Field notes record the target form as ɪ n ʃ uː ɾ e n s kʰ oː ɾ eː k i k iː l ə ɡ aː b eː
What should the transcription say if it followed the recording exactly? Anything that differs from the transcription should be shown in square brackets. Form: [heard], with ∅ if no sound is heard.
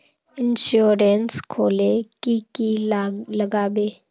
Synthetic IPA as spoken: ɪ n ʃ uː ɾ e n s kʰ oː [l] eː k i k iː l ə ɡ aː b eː